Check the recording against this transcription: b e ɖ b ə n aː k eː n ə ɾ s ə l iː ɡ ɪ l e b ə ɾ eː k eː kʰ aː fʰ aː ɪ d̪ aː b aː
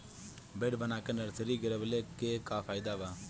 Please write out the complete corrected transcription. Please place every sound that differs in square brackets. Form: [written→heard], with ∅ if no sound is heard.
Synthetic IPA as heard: b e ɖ b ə n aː k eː n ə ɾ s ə [l→ɾ] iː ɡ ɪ [l→ɾ] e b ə [ɾ→l] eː k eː [kʰ→k] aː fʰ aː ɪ d̪ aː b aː